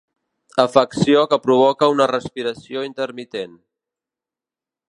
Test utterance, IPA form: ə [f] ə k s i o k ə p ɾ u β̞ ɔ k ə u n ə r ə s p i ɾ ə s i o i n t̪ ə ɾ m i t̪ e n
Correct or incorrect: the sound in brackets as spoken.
correct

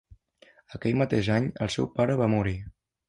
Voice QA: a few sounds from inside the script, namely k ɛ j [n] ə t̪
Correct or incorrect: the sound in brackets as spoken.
incorrect: m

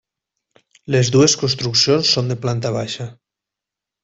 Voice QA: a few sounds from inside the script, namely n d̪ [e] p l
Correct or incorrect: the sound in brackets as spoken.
correct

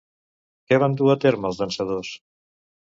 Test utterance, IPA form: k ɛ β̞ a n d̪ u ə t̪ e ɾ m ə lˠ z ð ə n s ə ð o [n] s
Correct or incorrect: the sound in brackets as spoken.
incorrect: none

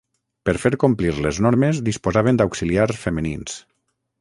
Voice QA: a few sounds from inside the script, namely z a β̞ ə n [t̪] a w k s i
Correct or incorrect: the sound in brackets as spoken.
incorrect: d̪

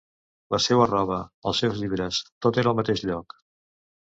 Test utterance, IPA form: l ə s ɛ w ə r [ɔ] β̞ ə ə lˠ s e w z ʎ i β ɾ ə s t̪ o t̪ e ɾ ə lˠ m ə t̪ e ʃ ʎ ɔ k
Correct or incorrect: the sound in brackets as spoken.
correct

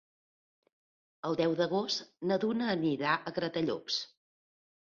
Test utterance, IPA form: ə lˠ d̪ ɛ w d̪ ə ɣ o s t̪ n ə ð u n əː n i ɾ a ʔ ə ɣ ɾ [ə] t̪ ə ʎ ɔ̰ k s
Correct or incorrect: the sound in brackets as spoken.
correct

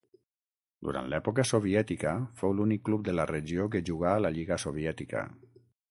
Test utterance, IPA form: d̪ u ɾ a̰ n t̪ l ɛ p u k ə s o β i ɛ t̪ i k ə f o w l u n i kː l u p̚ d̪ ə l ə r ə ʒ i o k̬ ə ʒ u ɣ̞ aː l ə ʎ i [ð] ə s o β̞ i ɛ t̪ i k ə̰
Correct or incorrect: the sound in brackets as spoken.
incorrect: ɣ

